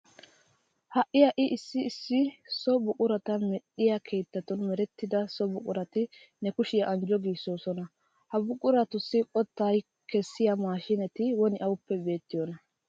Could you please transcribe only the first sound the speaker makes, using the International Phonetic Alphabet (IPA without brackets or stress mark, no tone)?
h